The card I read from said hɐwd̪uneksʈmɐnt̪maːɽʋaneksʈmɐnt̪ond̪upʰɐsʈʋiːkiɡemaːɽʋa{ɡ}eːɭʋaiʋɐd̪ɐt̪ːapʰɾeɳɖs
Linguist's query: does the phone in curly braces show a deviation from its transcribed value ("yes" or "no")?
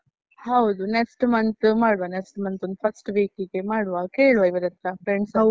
yes